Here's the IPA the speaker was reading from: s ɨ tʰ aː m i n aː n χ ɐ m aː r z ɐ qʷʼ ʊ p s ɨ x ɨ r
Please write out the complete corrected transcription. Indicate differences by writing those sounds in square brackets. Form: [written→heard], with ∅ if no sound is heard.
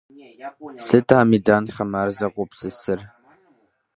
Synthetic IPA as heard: s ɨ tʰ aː m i [n→d] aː n χ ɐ m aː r z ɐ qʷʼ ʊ p s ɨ [x→s] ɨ r